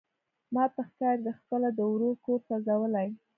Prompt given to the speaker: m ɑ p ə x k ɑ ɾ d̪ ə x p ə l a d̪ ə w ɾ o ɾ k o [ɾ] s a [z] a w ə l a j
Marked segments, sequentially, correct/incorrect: correct, correct

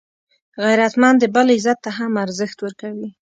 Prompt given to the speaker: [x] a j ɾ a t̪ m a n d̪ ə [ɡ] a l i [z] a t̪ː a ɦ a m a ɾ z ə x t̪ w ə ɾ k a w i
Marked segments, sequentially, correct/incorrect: incorrect: ɣ, incorrect: b, correct

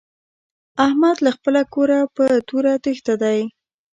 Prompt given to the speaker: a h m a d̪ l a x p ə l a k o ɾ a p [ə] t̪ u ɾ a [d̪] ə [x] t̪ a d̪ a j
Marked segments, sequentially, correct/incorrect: correct, incorrect: t̪, correct

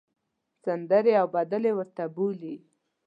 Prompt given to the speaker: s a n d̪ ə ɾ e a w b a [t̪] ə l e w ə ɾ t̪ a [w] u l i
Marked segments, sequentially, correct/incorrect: incorrect: d̪, incorrect: b

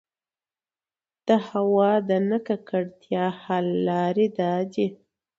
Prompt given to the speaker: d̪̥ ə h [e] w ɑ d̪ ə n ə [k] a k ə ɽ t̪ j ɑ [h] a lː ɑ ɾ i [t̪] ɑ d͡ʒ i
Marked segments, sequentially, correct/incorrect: incorrect: a, correct, correct, incorrect: d̪

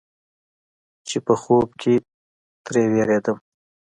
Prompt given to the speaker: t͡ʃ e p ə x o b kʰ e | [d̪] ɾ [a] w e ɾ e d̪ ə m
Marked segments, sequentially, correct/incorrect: incorrect: t̪, incorrect: e

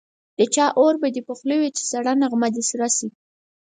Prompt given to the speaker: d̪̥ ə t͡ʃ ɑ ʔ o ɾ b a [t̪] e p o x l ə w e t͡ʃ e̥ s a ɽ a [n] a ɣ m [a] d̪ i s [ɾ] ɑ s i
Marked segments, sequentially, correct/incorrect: incorrect: d̪, correct, correct, correct

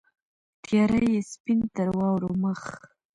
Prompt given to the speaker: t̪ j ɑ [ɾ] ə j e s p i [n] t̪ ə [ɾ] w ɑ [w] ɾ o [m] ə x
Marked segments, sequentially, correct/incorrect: correct, correct, correct, correct, correct

